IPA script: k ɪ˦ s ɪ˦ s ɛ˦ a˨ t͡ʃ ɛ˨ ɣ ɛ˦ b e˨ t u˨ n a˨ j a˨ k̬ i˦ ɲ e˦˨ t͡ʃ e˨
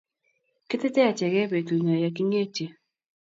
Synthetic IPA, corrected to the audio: k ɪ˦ t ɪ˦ t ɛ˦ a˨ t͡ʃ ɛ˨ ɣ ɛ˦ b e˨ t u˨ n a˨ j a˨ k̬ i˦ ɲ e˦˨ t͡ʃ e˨